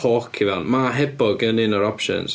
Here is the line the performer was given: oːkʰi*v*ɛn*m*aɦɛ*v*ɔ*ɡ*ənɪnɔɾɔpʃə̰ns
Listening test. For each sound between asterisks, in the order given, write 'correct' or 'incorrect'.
correct, correct, incorrect, correct

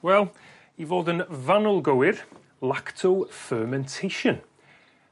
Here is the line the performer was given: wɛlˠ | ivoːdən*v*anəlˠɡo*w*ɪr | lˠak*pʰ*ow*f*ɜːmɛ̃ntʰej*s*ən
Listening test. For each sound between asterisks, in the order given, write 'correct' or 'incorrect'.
correct, correct, incorrect, correct, incorrect

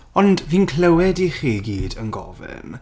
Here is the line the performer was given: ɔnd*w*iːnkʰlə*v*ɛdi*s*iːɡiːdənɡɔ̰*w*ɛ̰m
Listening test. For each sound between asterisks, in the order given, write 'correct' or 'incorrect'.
incorrect, incorrect, incorrect, incorrect

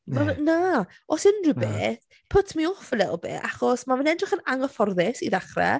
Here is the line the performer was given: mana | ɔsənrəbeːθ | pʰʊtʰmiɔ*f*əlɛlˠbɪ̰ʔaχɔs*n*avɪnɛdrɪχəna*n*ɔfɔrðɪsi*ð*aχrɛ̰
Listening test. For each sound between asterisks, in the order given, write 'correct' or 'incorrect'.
correct, incorrect, incorrect, correct

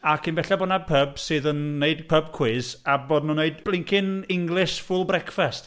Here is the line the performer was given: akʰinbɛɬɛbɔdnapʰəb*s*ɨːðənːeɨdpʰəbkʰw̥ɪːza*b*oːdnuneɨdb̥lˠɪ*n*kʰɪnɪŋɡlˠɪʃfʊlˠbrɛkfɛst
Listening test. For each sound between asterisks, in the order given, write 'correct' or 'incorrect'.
correct, correct, incorrect

